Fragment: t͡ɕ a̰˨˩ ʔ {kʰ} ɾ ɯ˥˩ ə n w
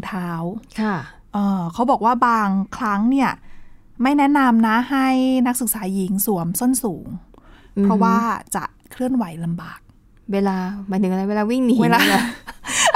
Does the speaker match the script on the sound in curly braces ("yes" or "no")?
yes